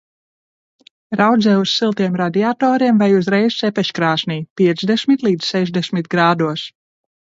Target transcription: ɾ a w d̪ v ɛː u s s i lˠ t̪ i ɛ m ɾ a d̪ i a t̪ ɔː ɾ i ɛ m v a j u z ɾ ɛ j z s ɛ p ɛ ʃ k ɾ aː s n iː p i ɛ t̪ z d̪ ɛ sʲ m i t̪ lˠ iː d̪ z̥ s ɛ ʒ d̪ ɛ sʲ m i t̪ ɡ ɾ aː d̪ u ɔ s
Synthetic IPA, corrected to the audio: ɾ a w d̪ z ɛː u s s i lˠ t̪ i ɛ m ɾ a d̪ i a t̪ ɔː ɾ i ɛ m v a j u z ɾ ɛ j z s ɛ p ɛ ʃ k ɾ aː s n iː p i ɛ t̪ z d̪ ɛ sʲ m i t̪ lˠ iː d̪ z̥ s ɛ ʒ d̪ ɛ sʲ m i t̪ ɡ ɾ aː d̪ u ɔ s